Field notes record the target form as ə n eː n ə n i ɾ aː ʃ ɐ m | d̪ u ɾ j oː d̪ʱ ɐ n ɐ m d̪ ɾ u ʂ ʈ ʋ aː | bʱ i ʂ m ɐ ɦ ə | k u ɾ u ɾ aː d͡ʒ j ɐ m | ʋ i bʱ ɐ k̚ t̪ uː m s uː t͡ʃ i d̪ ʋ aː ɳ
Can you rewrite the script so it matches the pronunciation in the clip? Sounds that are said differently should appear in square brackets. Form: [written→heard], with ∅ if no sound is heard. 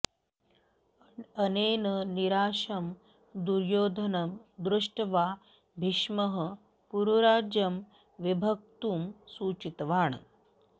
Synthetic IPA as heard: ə n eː n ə n i ɾ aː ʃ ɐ m | d̪ u ɾ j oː d̪ʱ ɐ n ɐ m d̪ ɾ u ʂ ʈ ʋ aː | bʱ i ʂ m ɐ ɦ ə | [k→p] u ɾ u ɾ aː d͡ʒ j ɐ m | ʋ i bʱ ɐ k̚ t̪ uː m s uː t͡ʃ i [d̪→t̪] ʋ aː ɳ